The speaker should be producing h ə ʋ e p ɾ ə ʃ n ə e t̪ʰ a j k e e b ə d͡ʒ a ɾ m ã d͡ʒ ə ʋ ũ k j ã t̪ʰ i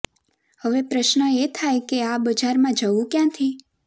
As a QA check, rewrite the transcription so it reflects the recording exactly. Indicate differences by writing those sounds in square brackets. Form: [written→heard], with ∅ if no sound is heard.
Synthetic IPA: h ə ʋ e p ɾ ə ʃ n ə e t̪ʰ a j k e [e→a] b ə d͡ʒ a ɾ m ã d͡ʒ ə ʋ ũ k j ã t̪ʰ i